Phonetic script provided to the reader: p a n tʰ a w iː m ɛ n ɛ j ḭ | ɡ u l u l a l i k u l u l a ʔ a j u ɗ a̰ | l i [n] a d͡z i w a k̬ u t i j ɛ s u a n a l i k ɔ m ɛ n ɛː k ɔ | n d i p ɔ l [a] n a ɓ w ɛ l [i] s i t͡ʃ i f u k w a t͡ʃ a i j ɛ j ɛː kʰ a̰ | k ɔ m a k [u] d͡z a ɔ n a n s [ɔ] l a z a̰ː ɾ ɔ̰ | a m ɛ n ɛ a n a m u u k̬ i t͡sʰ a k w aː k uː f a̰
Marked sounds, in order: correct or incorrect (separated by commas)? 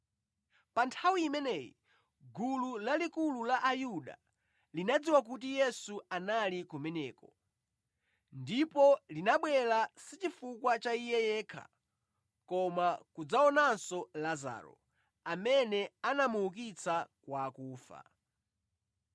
correct, incorrect, incorrect, correct, correct